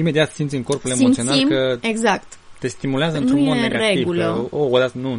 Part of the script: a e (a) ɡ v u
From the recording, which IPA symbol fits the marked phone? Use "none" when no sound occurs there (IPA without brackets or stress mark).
i